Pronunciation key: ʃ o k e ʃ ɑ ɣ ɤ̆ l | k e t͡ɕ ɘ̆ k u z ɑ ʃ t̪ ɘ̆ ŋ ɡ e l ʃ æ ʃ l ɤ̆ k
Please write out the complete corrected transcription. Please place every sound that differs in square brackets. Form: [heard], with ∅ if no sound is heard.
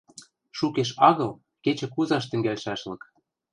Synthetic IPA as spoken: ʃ [u] k e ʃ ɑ ɣ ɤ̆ l | k e t͡ɕ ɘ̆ k u z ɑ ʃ t̪ ɘ̆ ŋ ɡ [æ] l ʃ æ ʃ l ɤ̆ k